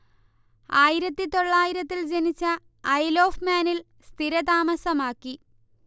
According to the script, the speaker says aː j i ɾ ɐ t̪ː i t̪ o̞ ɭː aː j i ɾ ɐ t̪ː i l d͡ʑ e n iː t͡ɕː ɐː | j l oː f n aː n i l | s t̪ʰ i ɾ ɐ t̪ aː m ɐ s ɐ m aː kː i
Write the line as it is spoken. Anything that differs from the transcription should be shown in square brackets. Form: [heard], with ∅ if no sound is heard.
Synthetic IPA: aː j i ɾ ɐ t̪ː i t̪ o̞ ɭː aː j i ɾ ɐ t̪ː i l d͡ʑ e n [i] t͡ɕː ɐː | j l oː f [m] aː n i l | s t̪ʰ i ɾ ɐ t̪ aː m ɐ s ɐ m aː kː i